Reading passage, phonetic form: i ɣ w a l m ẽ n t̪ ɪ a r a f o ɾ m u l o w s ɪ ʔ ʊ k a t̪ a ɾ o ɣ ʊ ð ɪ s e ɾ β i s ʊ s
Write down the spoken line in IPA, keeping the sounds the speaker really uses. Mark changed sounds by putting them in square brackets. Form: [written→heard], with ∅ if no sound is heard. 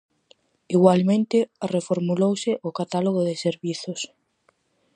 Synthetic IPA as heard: i ɣ w a l m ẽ n t̪ ɪ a r [a→e] f o ɾ m u l o w s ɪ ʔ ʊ k a t̪ a [ɾ→l] o ɣ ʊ ð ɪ s e ɾ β i [s→θ] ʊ s